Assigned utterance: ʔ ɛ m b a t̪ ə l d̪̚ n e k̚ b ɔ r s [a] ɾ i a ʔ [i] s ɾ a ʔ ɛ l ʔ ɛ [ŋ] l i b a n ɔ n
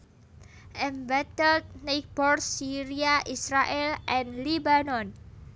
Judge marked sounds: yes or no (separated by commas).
no, yes, no